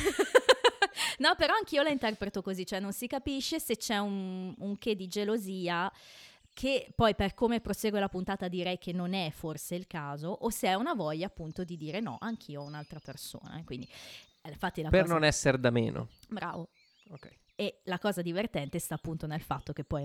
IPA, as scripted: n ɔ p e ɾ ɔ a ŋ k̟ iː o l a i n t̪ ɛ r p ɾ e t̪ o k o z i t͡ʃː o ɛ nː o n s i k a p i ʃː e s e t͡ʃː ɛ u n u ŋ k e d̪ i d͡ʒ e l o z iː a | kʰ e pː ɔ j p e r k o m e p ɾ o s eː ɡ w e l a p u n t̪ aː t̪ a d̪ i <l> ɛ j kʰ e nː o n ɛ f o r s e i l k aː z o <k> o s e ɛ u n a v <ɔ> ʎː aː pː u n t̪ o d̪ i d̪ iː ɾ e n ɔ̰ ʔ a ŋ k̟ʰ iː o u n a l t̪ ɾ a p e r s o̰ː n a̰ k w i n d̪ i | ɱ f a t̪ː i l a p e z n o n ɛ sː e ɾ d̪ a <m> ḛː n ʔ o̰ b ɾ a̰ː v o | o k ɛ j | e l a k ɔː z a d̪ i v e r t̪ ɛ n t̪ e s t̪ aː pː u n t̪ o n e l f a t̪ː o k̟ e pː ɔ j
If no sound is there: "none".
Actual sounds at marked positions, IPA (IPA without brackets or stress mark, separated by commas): ɾ, ʔ, ɔ, m